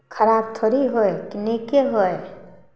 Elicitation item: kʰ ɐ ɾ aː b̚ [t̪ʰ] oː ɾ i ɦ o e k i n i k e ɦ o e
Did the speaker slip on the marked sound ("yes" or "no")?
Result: no